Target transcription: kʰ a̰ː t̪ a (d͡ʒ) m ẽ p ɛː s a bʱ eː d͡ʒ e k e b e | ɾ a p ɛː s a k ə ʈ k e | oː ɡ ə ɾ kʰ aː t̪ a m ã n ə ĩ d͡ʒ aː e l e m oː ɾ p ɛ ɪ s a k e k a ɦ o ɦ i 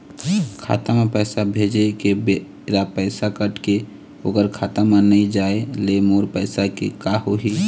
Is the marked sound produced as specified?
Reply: no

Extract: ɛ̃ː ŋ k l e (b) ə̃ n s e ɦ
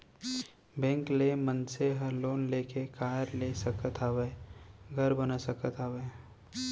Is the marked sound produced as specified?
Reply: no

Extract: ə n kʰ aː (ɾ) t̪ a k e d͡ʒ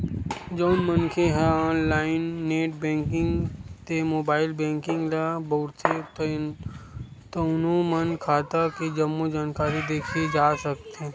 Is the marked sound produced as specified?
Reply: no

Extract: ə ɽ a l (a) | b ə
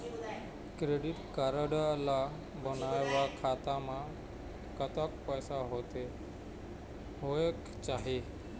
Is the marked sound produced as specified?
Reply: yes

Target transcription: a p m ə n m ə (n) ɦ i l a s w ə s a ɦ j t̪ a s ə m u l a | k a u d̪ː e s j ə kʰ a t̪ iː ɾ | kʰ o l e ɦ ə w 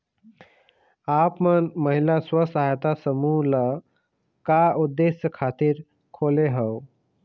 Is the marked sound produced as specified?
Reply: no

